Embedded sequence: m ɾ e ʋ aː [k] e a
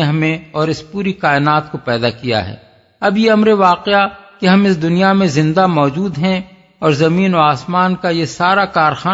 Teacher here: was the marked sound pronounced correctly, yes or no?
no